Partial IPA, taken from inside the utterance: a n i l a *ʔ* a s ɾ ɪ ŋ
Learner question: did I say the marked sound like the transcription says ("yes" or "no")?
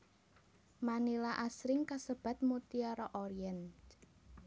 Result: yes